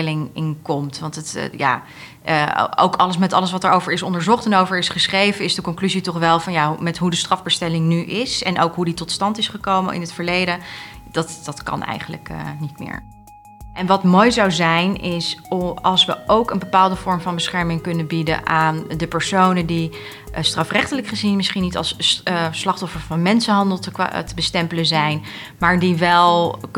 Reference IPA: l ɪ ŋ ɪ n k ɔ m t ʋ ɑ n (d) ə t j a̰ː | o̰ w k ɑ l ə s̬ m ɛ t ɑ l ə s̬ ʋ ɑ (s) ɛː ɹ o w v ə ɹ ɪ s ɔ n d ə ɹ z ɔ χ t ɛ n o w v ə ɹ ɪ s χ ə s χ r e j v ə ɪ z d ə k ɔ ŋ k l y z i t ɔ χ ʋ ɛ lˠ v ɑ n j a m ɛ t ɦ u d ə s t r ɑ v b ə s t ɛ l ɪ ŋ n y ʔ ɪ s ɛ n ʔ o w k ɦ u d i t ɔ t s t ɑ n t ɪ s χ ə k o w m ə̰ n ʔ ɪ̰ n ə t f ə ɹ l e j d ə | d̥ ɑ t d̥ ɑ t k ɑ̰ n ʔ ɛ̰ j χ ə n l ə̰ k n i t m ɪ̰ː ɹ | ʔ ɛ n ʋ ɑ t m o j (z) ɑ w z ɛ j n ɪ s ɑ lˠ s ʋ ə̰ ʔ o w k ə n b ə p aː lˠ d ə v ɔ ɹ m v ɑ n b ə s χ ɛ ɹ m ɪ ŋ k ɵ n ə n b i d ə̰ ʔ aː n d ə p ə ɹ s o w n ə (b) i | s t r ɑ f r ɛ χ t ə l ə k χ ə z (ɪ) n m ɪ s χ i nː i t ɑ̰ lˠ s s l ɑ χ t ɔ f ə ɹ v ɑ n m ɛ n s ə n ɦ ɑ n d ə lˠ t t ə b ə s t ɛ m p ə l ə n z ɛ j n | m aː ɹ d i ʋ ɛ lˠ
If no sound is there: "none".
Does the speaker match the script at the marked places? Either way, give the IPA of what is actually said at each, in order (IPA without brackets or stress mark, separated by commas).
t, t, z, d, i